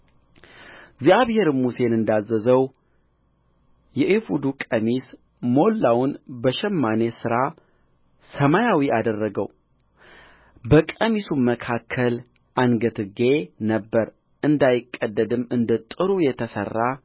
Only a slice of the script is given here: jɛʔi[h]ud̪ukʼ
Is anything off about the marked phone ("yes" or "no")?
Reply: yes